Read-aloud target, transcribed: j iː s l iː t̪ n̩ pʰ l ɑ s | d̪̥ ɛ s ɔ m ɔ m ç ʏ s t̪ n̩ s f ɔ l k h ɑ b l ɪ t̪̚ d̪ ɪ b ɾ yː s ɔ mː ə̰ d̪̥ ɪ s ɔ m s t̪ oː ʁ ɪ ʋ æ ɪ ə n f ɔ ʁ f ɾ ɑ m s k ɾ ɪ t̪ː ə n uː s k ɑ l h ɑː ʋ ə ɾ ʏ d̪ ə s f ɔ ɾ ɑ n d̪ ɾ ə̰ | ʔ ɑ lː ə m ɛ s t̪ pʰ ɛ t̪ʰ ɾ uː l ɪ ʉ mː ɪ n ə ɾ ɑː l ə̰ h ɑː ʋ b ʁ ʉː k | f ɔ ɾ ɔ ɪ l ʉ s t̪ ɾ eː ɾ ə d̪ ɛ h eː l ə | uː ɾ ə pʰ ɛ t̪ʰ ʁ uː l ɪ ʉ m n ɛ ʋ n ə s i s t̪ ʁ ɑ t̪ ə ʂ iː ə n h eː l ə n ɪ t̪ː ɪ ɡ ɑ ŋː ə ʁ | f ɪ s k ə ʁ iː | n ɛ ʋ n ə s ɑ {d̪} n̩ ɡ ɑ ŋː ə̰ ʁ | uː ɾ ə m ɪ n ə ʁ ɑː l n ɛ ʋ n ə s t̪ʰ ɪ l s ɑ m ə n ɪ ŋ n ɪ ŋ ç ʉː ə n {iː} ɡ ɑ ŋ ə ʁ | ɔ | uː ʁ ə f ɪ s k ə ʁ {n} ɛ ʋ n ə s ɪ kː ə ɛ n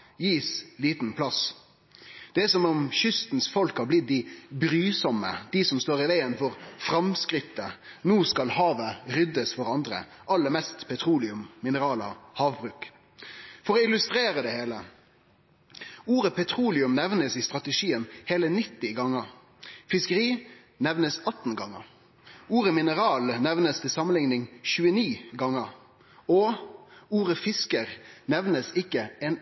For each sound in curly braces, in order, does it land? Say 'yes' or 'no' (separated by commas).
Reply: no, yes, yes